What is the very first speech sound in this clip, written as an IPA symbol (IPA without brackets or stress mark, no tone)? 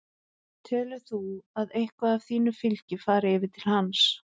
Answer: t̪ʰ